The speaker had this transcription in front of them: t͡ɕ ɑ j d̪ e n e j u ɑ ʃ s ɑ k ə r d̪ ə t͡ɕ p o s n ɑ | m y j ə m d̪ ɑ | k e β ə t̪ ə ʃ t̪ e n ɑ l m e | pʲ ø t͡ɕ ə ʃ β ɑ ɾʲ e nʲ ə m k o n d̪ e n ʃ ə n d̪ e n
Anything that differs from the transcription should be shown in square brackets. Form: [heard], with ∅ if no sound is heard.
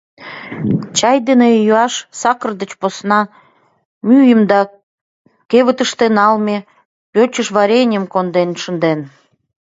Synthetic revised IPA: t͡ɕ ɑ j d̪ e n e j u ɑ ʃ s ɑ k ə r d̪ ə t͡ɕ p o s n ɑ | m y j ə m d̪ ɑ | k e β ə t̪ ə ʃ t̪ e n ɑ l m e | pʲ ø t͡ɕ ə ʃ β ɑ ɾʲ e nʲ ə m k o n d̪ e n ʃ ə n d̪ e n